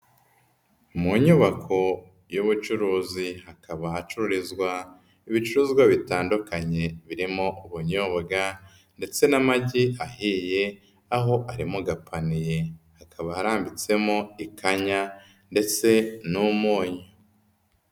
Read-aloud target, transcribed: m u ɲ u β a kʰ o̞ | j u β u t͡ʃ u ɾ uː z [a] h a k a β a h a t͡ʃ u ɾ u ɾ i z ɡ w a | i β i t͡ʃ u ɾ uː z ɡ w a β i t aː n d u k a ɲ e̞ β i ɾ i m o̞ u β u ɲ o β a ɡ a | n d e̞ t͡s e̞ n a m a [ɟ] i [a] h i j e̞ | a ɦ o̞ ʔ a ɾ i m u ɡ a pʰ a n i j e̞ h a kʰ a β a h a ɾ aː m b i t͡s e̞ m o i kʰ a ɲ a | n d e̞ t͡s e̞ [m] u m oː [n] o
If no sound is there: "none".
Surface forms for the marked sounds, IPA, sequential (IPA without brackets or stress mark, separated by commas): i, ɟ, a, n, ɲ